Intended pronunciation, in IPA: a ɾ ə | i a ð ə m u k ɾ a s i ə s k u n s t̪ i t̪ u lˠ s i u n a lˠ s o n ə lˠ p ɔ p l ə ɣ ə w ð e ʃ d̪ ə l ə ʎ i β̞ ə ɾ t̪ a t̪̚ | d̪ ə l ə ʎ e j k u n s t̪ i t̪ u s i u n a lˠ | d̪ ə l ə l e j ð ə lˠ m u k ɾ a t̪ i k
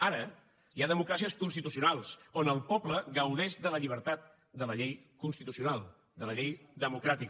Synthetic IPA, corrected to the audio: a ɾ ə | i a ð ə m u k ɾ a s i ə s k u n s t̪ i t̪ u s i u n a lˠ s o n ə lˠ p ɔ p l ə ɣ ə w ð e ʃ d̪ ə l ə ʎ i β̞ ə ɾ t̪ a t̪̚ | d̪ ə l ə ʎ e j k u n s t̪ i t̪ u s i u n a lˠ | d̪ ə l ə ʎ e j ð ə m u k ɾ a t̪ i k